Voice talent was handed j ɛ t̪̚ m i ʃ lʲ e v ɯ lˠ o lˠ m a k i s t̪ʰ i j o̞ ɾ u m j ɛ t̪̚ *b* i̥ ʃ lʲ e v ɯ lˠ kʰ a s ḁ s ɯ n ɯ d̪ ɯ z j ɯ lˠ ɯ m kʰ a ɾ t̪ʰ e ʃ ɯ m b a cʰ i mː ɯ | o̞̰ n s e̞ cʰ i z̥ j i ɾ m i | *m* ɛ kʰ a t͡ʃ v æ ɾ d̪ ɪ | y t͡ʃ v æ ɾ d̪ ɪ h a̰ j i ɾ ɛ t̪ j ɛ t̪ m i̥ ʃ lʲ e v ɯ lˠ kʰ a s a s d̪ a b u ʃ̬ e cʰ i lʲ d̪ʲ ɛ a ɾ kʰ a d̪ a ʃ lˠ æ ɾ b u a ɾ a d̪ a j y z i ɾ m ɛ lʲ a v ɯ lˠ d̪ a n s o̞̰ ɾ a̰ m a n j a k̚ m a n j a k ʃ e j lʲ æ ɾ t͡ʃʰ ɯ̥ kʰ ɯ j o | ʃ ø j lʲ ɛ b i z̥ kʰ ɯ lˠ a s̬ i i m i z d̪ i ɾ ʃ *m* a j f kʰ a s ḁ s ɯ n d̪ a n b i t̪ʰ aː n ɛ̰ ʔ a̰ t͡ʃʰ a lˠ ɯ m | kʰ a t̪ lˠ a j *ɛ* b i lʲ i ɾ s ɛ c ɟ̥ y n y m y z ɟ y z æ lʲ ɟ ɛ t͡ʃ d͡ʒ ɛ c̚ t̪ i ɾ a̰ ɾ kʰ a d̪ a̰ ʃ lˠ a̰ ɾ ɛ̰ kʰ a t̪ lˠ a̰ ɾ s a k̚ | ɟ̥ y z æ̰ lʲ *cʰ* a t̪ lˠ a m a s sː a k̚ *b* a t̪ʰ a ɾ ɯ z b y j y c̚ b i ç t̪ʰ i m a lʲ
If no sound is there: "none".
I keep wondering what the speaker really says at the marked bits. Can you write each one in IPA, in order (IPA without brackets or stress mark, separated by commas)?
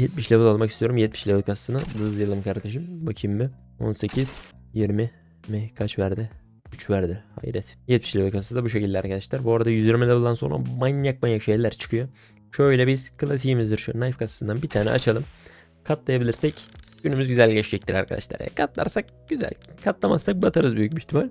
m, m, n, a, kʰ, b